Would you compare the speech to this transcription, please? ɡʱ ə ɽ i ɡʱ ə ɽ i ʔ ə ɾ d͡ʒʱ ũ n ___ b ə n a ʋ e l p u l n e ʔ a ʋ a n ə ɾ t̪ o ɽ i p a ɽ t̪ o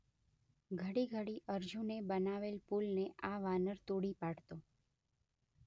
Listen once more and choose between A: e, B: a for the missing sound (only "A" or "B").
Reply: A